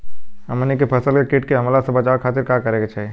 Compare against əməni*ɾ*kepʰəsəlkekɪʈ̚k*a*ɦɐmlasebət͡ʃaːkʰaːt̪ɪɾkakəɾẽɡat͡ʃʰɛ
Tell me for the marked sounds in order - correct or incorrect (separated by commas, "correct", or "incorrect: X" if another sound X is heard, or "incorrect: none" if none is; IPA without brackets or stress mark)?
incorrect: none, incorrect: e